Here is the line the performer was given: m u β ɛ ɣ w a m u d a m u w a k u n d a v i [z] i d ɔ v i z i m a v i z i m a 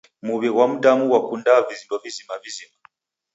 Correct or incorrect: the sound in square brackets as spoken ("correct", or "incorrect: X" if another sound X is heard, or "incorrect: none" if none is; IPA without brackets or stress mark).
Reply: correct